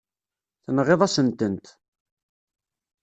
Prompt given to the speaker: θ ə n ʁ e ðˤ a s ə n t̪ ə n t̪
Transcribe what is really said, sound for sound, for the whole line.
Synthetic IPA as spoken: θ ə n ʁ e ðˤ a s ə n t̪ ə n t̪